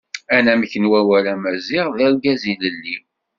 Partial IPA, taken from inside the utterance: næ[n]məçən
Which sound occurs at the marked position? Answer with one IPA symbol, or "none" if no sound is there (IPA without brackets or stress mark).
none